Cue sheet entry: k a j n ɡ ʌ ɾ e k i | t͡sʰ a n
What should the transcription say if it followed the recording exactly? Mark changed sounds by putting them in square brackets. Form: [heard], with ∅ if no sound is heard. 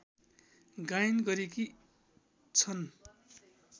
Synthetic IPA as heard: [ɡ] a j n ɡ ʌ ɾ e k i | t͡sʰ [ʌ] n